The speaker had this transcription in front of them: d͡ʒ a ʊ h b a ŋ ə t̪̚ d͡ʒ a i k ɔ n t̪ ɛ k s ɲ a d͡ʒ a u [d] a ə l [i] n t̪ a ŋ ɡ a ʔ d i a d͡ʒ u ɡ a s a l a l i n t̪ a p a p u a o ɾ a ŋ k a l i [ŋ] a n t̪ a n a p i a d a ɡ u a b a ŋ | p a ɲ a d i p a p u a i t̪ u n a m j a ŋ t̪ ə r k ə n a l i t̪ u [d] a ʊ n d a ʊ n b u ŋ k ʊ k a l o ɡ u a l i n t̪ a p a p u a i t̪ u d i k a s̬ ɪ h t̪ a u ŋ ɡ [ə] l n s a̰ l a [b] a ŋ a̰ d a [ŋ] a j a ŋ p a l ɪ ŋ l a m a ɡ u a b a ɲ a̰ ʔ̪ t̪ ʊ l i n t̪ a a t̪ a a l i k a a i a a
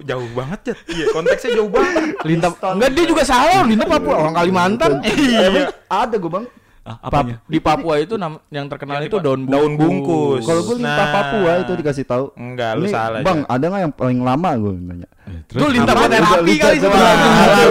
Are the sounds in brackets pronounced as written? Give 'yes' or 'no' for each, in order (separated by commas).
no, yes, no, yes, no, yes, yes